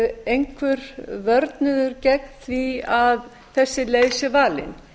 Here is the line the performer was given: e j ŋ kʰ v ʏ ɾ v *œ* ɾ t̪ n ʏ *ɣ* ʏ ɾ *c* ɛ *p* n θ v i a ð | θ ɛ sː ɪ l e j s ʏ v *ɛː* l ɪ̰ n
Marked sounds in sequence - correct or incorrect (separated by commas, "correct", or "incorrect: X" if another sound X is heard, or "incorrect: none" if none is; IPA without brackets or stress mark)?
correct, incorrect: ð, correct, incorrect: k, incorrect: aː